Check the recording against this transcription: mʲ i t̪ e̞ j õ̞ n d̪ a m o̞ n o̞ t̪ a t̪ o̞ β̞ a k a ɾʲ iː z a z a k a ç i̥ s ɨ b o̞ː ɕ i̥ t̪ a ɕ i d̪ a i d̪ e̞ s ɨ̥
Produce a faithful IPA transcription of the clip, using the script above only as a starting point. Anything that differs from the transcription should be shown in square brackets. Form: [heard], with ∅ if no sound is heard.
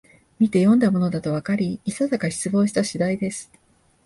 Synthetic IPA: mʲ i t̪ e̞ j õ̞ n d̪ a m o̞ n o̞ [d̪] a t̪ o̞ β̞ a k a ɾʲ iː [s] a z a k a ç i̥ [t͡s] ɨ b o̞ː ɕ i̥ t̪ a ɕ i d̪ a i d̪ e̞ s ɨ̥